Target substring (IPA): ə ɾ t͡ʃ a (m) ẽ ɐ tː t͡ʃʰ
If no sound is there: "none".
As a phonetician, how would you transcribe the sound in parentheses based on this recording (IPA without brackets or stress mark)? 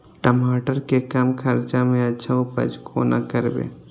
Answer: m